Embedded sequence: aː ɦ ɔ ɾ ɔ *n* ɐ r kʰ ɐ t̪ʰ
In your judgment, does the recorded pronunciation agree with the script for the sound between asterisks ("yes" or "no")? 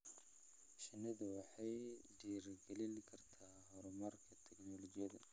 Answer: no